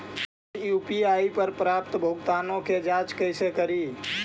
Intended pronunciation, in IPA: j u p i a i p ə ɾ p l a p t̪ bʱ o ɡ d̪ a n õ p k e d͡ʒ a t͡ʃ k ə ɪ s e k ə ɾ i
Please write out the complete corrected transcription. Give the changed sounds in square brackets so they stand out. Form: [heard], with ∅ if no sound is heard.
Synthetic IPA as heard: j u p i a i p ə ɾ p [ɾ] a p t̪ bʱ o ɡ [t̪] a n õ [∅] k e d͡ʒ a t͡ʃ k ə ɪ s e k ə ɾ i